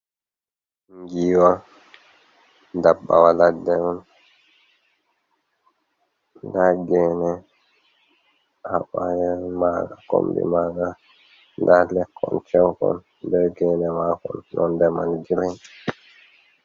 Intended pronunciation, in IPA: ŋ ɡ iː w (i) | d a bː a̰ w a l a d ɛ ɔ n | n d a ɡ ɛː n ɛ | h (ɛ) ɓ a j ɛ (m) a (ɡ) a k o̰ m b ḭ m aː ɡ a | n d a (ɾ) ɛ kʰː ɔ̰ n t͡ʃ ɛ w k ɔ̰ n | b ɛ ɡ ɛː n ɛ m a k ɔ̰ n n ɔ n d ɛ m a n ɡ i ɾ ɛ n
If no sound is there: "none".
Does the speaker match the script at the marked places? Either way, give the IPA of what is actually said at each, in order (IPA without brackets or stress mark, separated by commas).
a, a, m, ɡ, l